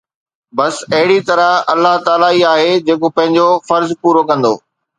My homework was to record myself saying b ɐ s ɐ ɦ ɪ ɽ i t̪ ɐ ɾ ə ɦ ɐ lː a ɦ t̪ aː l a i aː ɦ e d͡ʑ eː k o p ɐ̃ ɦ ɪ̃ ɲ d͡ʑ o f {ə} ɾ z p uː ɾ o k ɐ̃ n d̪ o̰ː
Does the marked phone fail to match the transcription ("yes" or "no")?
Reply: yes